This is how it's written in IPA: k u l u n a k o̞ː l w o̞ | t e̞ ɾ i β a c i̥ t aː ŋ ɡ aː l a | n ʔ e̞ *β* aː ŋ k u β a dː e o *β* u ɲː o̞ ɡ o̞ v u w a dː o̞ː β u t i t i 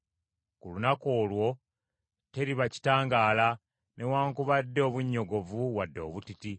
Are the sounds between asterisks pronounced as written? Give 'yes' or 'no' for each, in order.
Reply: no, yes

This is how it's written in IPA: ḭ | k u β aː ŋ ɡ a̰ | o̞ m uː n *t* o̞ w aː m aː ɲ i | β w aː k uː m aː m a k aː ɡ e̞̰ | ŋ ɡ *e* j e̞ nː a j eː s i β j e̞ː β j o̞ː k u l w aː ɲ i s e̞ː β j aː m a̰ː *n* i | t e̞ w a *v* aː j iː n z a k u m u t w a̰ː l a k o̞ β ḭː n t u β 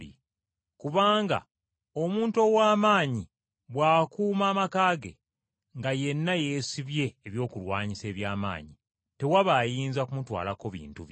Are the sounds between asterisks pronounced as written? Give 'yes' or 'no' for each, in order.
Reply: yes, no, no, no

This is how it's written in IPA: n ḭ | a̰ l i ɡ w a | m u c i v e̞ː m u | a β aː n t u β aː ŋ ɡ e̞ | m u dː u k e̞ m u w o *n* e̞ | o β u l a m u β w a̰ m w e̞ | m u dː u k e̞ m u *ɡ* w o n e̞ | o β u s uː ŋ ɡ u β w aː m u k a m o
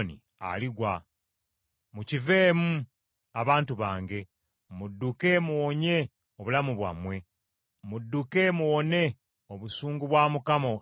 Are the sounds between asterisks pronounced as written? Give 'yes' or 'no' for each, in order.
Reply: no, no

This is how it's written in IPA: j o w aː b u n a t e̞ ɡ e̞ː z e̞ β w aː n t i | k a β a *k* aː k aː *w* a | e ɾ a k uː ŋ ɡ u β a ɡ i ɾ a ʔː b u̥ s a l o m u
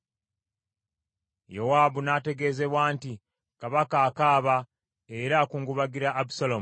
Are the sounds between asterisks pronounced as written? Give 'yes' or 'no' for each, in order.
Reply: yes, no

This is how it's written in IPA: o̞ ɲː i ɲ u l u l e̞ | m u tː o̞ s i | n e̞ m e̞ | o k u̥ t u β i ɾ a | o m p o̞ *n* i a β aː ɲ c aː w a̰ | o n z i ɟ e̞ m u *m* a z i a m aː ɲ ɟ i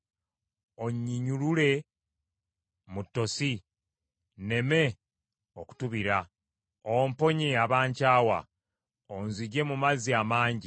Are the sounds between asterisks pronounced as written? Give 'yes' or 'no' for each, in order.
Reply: no, yes

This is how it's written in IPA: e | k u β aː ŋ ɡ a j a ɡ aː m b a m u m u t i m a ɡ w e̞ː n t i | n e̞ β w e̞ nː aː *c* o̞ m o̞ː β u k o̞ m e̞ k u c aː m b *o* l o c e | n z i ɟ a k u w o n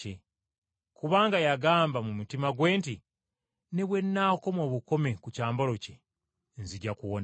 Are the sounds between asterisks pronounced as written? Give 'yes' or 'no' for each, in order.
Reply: no, yes

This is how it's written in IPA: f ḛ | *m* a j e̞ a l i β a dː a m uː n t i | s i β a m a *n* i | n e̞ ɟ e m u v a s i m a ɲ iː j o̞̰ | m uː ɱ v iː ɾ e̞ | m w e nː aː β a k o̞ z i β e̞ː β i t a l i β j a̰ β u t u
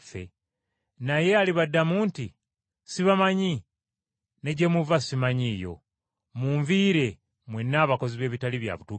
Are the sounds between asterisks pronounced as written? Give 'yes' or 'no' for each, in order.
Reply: no, no

